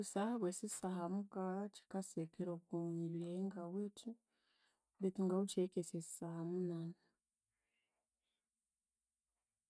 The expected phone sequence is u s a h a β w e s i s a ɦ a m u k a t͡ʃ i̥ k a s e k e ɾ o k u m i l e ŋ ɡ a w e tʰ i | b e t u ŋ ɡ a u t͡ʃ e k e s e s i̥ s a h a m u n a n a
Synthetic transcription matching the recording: u s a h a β w e s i s a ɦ a m u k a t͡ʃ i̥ k a s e k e ɾ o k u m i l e ŋ ɡ a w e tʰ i | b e t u ŋ ɡ a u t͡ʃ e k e s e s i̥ s a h a m u n a n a

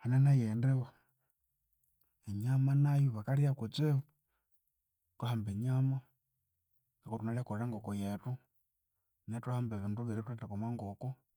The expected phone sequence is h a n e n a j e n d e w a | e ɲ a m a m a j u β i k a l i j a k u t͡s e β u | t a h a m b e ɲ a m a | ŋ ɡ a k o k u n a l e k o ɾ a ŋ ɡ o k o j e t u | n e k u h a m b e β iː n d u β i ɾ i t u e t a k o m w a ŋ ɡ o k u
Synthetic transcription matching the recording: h a n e n a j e n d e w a | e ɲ a m a n a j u β a k a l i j a k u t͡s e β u | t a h a m b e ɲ a m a | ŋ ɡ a k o t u n a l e k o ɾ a ŋ ɡ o k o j e t u | n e t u h a m b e β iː n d u β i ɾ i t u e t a k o m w a ŋ ɡ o k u

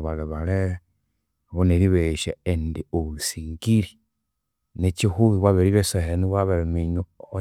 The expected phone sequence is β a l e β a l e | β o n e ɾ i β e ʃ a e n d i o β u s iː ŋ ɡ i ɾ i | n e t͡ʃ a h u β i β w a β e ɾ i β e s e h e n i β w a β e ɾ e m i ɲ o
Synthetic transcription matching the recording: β a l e β a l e | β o n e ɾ i β e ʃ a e n d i o β u s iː ŋ ɡ i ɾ i | n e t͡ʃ i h u β i β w a β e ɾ i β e s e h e n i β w a β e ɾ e m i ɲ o

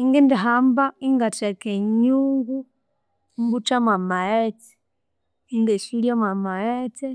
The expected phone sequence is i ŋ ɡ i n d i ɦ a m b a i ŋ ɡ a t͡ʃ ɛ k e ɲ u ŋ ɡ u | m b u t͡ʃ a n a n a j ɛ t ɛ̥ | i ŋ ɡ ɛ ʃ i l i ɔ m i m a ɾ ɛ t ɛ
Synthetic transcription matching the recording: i ŋ ɡ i n d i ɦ a m b a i ŋ ɡ a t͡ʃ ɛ k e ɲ u ŋ ɡ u | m b u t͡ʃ a m a m a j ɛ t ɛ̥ | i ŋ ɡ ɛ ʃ i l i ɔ m a m a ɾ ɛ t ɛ

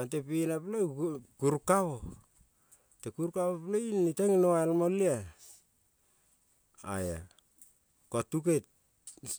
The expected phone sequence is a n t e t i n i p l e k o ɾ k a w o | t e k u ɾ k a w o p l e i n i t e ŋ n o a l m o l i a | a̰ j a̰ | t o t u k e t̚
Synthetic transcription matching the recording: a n t e p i n a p l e k u ɾ k a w o | t e k u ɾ k a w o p l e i n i t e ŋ n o a l m o l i a | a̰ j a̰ | k o t u k e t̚

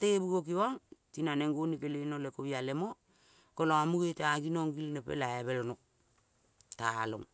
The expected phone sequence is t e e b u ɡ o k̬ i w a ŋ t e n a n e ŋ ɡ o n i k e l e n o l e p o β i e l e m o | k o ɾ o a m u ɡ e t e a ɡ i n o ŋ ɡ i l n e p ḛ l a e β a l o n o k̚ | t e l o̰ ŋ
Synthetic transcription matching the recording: t e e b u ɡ o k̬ i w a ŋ t i n a n e ŋ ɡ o n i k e l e n o l e k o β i a l e m o | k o l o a m u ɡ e t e a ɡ i n o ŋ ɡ i l n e p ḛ l a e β e l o n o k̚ | t a l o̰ ŋ

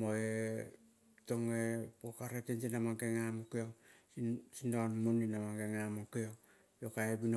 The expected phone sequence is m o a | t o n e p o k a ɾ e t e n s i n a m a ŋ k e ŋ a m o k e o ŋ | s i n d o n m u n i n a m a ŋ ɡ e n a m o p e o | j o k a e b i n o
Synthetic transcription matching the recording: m o e | t o ŋ e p o k a ɾ e t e n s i n a m a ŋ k e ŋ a m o k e o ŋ | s i n d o n m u n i n a m a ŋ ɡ e ŋ a m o k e o | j o k a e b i n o

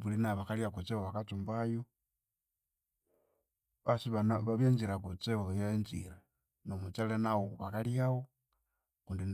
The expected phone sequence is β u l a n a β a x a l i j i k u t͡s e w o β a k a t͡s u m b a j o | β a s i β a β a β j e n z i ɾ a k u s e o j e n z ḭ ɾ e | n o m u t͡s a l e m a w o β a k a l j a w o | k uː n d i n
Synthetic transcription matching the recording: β u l i n a β a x a l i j a k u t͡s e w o β a k a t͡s u m b a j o | β a s i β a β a β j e n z i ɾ a k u t͡s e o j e n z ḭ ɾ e | n o m u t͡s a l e n a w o β a k a l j a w o | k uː n d i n

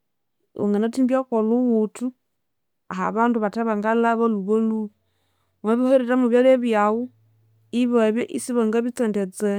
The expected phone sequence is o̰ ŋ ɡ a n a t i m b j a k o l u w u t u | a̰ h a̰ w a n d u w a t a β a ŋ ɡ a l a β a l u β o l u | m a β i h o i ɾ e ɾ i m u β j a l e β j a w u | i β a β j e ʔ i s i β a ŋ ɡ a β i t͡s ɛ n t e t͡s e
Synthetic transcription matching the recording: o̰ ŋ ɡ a n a t i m b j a k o l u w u t u | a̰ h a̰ β a n d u β a t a β a ŋ ɡ a l a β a l u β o l u | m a β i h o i ɾ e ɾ a m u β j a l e β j a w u | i β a β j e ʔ i s i β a ŋ ɡ a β i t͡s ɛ n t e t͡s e

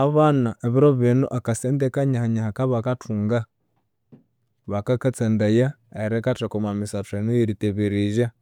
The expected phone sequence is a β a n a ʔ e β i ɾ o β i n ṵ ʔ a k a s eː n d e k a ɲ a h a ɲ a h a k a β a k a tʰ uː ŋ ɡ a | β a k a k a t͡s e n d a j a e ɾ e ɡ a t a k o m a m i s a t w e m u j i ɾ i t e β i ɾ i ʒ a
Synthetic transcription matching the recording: a β a n a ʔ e β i ɾ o β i n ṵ ʔ a k a s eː n d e k a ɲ a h a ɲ a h a k a β a k a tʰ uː ŋ ɡ a | β a k a k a t͡s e n d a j a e ɾ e k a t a k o m a m i s a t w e n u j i ɾ i t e β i ɾ i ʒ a

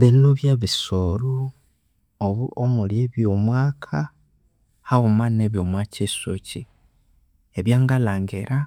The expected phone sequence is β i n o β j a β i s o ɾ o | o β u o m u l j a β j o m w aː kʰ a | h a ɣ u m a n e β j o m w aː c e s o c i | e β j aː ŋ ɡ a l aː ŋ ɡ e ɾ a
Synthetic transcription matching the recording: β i n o β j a β i s o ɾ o | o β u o m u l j e β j o m w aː kʰ a | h a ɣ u m a n e β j o m w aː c e s o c i | e β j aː ŋ ɡ a l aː ŋ ɡ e ɾ a

